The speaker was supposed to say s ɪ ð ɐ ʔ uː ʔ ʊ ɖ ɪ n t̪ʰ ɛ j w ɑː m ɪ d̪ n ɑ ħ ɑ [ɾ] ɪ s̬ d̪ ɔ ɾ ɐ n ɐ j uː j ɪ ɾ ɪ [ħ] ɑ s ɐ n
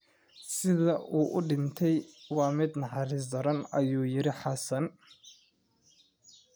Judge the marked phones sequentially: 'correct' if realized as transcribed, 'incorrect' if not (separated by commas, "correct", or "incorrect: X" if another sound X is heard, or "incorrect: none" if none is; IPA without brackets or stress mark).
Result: correct, correct